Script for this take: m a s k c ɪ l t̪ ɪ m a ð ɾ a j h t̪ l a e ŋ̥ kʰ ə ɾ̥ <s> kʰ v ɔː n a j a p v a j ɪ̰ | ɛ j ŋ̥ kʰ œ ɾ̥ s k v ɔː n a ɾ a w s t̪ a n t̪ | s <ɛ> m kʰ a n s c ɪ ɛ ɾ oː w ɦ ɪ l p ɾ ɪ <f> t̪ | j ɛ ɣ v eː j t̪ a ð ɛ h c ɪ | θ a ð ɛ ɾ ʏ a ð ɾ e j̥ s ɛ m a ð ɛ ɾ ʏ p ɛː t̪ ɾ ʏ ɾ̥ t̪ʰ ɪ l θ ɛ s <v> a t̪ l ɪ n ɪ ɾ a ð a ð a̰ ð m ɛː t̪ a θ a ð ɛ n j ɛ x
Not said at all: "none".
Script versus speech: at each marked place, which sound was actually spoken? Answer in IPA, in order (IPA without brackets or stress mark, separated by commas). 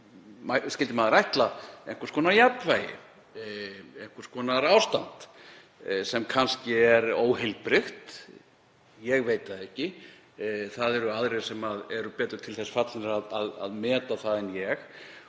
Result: s, ɛ, x, f